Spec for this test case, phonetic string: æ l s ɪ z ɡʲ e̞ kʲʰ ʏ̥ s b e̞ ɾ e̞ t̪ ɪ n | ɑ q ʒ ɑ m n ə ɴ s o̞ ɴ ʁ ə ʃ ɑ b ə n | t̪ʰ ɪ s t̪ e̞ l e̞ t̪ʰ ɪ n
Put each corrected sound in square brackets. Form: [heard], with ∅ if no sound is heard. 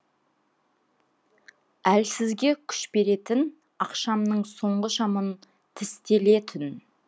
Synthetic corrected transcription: æ l s ɪ z ɡʲ e̞ kʲʰ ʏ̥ [ʃ] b e̞ ɾ e̞ t̪ ɪ n | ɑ q [ʃ] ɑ m n ə ɴ s o̞ ɴ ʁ ə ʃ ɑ [m] ə n | t̪ʰ ɪ s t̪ e̞ l e̞ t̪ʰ ɪ n